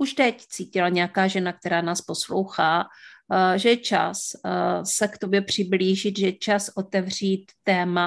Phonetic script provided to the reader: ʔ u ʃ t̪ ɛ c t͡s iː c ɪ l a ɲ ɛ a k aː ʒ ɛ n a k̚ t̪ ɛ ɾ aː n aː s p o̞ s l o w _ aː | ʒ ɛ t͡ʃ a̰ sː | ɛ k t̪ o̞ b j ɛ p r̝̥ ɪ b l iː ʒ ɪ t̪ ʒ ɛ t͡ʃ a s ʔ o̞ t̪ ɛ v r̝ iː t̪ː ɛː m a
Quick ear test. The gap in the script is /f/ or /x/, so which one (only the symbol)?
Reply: x